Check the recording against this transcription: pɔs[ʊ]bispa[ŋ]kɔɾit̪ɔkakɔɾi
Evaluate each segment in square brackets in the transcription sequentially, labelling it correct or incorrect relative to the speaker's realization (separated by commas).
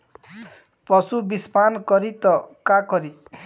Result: incorrect, incorrect